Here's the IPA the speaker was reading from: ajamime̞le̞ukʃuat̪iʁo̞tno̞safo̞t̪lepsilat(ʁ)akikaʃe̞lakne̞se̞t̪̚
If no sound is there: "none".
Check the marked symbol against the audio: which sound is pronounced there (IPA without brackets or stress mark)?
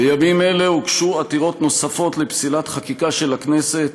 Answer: χ